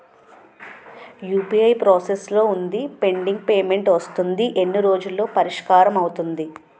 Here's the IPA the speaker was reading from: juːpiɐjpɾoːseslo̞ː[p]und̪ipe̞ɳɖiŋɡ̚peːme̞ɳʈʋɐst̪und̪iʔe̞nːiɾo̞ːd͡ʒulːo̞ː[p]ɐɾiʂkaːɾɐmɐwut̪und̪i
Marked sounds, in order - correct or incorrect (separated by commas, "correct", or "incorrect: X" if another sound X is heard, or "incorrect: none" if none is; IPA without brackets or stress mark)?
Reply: incorrect: none, correct